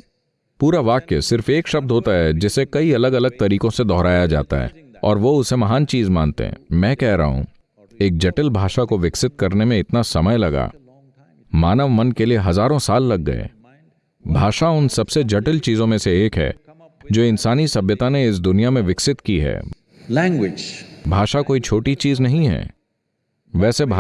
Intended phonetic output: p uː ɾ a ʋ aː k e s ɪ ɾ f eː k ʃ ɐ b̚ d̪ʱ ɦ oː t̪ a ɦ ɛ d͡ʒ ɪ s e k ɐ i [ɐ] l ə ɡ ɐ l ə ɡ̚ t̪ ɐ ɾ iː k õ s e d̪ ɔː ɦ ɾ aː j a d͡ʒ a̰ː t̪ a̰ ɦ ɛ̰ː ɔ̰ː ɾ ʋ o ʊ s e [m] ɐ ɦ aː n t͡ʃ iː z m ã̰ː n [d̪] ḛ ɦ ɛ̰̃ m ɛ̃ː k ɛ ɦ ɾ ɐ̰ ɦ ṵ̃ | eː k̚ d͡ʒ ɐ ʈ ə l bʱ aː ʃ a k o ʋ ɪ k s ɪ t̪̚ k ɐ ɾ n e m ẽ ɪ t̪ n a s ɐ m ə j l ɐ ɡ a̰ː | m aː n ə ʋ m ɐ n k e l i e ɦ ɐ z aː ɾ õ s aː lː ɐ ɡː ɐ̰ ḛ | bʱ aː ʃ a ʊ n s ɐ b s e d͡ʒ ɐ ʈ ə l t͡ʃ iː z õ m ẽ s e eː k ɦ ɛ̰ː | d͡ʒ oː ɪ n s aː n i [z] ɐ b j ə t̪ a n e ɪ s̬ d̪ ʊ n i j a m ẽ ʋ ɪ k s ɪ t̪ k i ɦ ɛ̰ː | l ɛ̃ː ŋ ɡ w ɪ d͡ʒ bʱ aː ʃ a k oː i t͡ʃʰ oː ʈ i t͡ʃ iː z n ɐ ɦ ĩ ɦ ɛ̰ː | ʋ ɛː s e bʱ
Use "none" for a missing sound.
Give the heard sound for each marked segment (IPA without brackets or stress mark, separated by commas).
ɐ, m, t̪, s